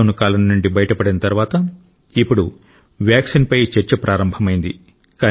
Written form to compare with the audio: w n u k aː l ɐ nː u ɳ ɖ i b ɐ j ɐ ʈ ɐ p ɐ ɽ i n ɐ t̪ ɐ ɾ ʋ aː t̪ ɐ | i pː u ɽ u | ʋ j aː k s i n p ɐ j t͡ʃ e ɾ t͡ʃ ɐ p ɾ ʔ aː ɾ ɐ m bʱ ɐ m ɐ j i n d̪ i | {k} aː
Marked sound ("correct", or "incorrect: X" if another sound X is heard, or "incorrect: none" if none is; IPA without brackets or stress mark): correct